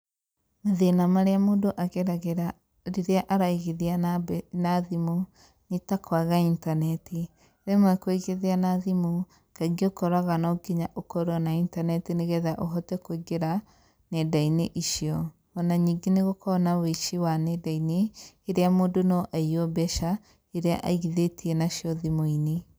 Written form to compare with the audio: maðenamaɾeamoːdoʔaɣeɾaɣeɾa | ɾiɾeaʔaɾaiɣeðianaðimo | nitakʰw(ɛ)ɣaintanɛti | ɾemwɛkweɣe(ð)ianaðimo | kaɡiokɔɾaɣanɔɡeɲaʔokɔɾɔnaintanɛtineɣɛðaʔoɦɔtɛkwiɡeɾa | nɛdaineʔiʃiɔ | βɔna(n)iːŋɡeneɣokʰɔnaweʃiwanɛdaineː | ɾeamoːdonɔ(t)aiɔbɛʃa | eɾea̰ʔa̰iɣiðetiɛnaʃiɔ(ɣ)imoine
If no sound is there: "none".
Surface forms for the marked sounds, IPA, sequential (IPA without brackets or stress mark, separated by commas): a, ð, ɲ, ʔ, ð